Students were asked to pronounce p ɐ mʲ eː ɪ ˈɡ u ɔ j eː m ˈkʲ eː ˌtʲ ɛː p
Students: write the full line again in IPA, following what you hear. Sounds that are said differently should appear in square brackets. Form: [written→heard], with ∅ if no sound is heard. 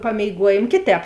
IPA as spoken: p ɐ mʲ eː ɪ ˈɡ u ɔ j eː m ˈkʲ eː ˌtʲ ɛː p